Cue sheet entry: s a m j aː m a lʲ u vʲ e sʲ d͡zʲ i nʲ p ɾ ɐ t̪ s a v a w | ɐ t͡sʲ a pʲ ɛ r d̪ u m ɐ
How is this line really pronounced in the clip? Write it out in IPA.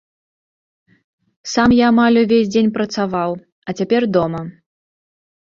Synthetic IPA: s a m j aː m a lʲ u vʲ e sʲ d͡zʲ e nʲ p ɾ ɐ t̪ s a v a w | ɐ t͡sʲ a pʲ ɛ r d̪ ɔ m ɐ